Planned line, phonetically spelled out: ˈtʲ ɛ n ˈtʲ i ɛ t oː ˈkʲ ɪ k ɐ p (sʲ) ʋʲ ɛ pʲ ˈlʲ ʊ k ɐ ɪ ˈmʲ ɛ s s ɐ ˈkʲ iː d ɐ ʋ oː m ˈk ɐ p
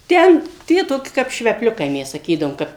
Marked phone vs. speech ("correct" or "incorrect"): incorrect